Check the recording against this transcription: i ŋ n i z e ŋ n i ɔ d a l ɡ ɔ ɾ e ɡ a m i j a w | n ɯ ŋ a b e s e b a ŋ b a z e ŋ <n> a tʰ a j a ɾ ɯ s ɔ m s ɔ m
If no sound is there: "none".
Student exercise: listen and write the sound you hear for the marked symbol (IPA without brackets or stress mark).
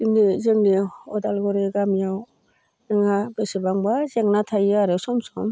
n